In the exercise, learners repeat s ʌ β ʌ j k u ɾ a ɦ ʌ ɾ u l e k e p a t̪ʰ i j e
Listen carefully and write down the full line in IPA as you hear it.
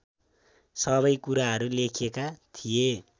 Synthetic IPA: s ʌ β ʌ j k u ɾ a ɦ ʌ ɾ u l e kʰ e k a t̪ʰ i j e